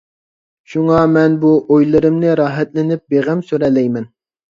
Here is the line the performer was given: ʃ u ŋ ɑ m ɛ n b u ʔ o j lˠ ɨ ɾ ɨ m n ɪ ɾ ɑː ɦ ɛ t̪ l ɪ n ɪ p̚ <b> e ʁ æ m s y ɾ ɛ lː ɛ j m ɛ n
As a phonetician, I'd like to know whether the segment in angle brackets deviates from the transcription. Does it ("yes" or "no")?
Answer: no